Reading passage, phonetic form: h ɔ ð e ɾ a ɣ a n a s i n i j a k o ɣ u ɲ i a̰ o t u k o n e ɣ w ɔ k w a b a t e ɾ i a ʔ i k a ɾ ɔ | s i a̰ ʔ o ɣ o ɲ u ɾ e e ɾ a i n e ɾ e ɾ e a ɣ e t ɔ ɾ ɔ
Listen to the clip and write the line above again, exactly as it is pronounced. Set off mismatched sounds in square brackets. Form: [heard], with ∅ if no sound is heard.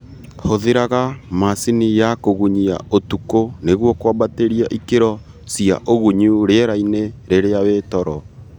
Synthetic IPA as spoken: h [o] ð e ɾ a ɣ a [m] a s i n i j a k o ɣ u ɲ i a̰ o t u k o n e ɣ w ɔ k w a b a t e ɾ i a ʔ i k [e] ɾ ɔ | s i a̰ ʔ o ɣ [u] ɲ u ɾ e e ɾ a i n e ɾ e ɾ e a [w] e t ɔ ɾ ɔ